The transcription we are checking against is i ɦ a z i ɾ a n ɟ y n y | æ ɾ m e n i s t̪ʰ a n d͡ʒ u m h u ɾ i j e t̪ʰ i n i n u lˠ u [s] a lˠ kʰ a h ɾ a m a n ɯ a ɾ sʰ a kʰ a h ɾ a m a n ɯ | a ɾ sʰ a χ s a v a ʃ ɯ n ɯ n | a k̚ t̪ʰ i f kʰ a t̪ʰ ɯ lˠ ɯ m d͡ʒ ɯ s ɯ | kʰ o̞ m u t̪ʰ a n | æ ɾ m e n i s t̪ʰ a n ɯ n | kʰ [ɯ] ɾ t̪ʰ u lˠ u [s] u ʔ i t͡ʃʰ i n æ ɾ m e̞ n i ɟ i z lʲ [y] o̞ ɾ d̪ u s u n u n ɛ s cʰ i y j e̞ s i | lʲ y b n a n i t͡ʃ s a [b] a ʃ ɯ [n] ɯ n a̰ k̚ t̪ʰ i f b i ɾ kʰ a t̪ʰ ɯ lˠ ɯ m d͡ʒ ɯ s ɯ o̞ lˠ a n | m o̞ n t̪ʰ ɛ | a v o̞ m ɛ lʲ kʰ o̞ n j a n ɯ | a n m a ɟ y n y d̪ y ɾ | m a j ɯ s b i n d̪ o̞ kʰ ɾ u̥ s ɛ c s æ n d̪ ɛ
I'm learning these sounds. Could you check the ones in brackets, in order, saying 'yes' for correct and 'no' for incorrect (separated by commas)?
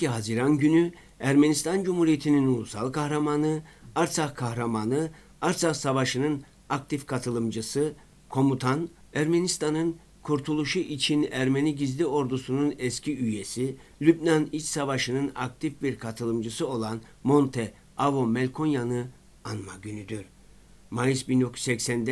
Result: yes, no, no, no, no, yes